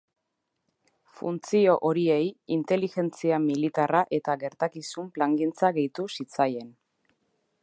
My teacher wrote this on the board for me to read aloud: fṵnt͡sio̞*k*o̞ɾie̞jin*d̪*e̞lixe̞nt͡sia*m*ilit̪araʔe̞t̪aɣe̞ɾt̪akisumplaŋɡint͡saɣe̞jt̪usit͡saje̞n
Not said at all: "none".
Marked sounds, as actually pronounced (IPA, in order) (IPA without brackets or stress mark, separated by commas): ʔ, t̪, m